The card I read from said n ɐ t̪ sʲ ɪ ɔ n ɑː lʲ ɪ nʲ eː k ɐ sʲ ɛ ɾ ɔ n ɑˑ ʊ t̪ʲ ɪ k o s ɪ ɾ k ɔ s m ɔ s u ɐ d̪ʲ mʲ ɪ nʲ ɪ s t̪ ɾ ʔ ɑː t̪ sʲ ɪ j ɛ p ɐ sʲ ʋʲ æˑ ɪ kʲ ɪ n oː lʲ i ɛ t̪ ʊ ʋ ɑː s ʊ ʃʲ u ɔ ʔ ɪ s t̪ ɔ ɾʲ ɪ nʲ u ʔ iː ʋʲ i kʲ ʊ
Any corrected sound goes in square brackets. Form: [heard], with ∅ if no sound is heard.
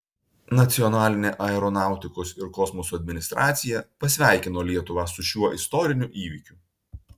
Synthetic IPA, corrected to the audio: n ɐ t̪ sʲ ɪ ɔ n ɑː lʲ ɪ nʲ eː [ʔ] ɐ [∅] ɛ ɾ ɔ n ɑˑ ʊ t̪ʲ ɪ k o s ɪ ɾ k ɔ s m ɔ s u ɐ d̪ʲ mʲ ɪ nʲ ɪ s t̪ ɾ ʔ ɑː t̪ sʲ ɪ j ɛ p ɐ sʲ ʋʲ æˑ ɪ kʲ ɪ n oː lʲ i ɛ t̪ ʊ ʋ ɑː s ʊ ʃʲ u ɔ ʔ ɪ s t̪ ɔ ɾʲ ɪ nʲ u ʔ iː ʋʲ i kʲ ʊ